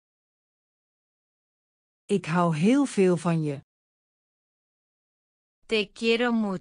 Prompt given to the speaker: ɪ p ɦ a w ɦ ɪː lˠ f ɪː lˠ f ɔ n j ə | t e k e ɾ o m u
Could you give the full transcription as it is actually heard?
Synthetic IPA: ɪ k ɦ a w ɦ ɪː lˠ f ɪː lˠ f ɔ n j ə | t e k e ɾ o m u

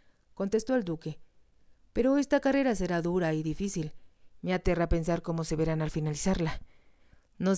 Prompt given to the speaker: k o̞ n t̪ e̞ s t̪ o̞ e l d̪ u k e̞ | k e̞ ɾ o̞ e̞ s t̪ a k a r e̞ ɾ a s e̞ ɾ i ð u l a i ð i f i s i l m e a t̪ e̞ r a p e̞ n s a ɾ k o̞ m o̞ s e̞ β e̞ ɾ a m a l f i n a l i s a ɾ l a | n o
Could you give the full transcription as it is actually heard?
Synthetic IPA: k o̞ n t̪ e̞ s t̪ o̞ e l d̪ u k e̞ | p e̞ ɾ o̞ e̞ s t̪ a k a r e̞ ɾ a s e̞ ɾ a ð u ɾ a i ð i f i s i l m e a t̪ e̞ r a p e̞ n s a ɾ k o̞ m o̞ s e̞ β e̞ ɾ a n a l f i n a l i s a ɾ l a | n o

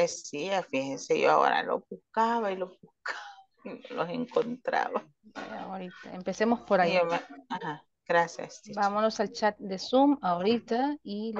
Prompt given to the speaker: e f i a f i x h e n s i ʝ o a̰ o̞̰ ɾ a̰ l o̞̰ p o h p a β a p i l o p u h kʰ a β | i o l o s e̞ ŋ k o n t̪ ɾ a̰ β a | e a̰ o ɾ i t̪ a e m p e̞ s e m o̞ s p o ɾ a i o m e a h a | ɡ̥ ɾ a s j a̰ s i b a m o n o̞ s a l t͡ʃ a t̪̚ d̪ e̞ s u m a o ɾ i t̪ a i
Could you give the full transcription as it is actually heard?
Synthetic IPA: e s i a f i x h e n s e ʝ o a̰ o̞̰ ɾ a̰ l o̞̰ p u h k a β a i l o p u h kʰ a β | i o l o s e̞ ŋ k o n t̪ ɾ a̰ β a | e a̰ o ɾ i t̪ a e m p e̞ s e m o̞ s p o ɾ a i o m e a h a | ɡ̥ ɾ a s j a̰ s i b a m o n o̞ s a l t͡ʃ a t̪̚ d̪ e̞ s u m a o ɾ i t̪ a i

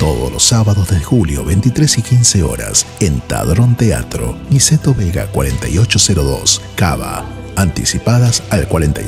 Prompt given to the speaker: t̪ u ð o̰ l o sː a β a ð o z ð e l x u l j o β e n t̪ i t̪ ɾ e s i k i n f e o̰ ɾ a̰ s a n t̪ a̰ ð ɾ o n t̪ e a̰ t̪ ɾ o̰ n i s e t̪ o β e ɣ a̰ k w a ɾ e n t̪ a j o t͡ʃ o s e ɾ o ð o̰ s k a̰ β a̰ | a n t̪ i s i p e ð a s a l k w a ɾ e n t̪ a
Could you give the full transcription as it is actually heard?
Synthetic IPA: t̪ o ð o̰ l o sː a β a ð o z ð e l x u l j o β e n t̪ i t̪ ɾ e s i k i n s e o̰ ɾ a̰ s e n t̪ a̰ ð ɾ o n t̪ e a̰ t̪ ɾ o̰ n i s e t̪ o β e ɣ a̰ k w a ɾ e n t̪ a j o t͡ʃ o s e ɾ o ð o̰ s k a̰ β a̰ | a n t̪ i s i p a ð a s a l k w a ɾ e n t̪ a

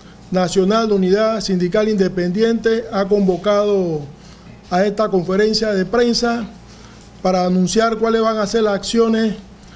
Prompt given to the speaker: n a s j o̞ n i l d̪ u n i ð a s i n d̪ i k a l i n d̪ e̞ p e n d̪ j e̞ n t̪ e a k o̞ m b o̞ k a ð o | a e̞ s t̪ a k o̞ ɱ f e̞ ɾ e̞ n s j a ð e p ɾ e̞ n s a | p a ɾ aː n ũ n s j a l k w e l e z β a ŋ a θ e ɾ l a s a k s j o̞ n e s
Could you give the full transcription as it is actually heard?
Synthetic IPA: n a s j o̞ n a l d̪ u n i ð a s i n d̪ i k a l i n d̪ e̞ p e n d̪ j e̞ n t̪ e a k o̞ m b o̞ k a ð o | a e̞ s t̪ a k o̞ ɱ f e̞ ɾ e̞ n s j a ð e p ɾ e̞ n s a | p a ɾ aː n ũ n s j a ɾ k w a l e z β a ŋ a s e ɾ l a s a k s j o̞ n e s

